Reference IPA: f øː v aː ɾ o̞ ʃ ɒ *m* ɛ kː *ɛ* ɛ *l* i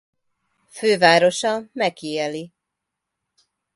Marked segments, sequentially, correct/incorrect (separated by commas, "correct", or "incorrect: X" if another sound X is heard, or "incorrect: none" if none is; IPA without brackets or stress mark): correct, incorrect: i, correct